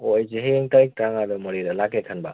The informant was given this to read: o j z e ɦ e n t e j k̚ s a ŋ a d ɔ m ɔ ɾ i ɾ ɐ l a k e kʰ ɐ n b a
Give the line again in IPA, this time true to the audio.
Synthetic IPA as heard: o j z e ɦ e ŋ t a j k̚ t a ŋ a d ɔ m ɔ ɾ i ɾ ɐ l a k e kʰ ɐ n b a